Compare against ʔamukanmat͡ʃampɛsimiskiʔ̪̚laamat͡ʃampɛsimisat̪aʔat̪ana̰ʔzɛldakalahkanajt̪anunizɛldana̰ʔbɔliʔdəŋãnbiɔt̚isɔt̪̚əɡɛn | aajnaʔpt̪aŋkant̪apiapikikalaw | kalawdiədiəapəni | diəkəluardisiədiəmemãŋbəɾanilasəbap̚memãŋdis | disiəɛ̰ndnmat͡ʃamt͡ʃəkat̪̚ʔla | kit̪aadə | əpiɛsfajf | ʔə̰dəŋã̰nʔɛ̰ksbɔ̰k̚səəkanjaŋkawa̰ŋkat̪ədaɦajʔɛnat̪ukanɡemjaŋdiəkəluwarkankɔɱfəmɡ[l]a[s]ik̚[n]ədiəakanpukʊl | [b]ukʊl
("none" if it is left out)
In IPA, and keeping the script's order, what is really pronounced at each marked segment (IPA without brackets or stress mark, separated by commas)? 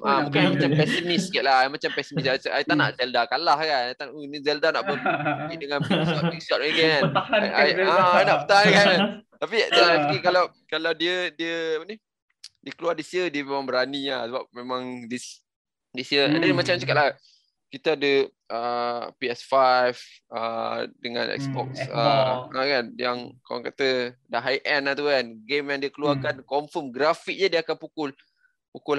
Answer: ɾ, f, ɲ, p